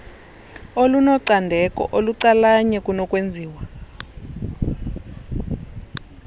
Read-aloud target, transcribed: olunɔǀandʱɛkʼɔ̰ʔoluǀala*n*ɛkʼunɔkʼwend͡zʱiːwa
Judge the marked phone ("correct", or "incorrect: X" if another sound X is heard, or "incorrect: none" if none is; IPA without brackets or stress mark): incorrect: ɲ